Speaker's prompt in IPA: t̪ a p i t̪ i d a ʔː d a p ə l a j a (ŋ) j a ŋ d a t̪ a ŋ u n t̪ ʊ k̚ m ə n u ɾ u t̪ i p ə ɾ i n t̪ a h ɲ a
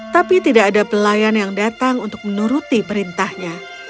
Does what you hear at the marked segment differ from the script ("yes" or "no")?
yes